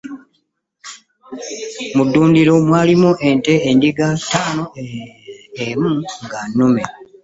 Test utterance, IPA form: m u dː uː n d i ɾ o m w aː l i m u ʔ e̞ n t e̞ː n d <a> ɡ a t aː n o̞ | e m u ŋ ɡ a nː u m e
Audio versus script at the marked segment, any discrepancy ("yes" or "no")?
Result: yes